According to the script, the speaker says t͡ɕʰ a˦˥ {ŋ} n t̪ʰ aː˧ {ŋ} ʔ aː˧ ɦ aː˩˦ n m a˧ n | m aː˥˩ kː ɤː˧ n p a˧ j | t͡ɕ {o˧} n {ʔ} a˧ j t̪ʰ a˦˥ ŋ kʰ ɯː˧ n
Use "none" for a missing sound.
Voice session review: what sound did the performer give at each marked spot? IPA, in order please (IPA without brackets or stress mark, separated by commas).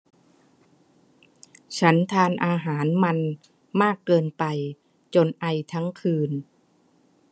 none, n, o˧, ʔ